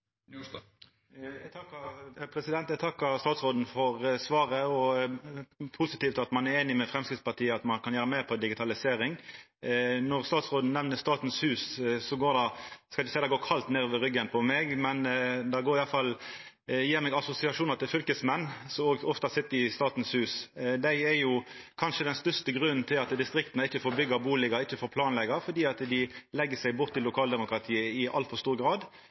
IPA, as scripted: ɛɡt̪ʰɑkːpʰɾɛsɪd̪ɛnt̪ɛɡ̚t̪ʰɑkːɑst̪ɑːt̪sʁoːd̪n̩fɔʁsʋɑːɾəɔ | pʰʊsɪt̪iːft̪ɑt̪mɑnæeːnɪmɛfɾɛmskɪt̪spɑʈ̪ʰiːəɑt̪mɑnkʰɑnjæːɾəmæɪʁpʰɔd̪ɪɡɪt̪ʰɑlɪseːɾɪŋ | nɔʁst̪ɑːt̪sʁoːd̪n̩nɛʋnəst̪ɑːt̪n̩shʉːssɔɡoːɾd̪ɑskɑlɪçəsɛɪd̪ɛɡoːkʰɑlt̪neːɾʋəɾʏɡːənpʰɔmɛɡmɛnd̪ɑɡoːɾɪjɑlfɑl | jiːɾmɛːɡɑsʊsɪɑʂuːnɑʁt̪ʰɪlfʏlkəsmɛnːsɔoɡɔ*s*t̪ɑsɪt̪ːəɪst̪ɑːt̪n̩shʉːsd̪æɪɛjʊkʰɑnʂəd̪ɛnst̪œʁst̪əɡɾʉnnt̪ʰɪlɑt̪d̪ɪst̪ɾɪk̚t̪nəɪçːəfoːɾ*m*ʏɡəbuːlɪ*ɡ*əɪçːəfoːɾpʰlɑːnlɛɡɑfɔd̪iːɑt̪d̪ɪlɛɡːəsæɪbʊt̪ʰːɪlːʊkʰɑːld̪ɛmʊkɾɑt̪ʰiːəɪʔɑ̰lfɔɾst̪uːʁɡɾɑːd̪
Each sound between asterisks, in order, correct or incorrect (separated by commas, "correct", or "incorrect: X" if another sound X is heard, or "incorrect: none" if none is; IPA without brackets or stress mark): incorrect: f, incorrect: b, correct